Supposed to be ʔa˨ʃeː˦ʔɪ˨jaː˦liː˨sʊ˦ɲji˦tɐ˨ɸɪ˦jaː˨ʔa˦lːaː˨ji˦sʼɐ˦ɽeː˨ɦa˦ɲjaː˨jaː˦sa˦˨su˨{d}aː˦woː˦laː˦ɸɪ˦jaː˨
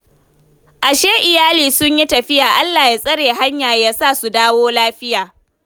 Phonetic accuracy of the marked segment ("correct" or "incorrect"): correct